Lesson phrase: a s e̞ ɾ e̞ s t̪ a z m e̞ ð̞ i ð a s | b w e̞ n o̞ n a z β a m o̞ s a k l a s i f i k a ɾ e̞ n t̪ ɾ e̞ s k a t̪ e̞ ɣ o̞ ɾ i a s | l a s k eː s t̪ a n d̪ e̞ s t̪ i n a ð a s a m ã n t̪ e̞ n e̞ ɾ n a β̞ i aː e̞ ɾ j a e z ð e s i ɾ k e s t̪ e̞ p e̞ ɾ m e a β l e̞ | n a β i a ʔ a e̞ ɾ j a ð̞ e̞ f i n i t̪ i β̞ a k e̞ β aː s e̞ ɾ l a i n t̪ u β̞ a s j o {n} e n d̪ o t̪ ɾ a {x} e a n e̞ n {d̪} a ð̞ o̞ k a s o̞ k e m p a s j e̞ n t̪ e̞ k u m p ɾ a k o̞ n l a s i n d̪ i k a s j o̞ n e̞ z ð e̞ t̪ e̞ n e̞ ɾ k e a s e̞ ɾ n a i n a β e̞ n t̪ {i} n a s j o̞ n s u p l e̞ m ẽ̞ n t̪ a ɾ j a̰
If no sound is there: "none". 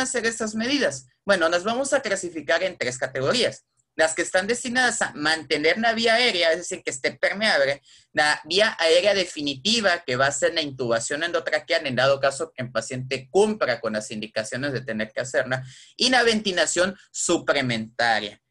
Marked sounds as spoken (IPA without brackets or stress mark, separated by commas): n, k, d̪, i